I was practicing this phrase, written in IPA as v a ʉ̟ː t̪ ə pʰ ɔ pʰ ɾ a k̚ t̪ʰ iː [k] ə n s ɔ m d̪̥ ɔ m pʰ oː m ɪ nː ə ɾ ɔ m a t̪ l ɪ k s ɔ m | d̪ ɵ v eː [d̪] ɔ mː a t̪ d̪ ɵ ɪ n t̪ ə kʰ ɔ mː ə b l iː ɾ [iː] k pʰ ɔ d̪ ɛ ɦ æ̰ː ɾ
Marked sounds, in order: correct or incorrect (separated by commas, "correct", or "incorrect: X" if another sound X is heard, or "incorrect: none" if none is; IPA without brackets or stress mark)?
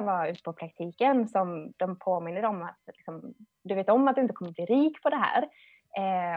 correct, incorrect: t̪, correct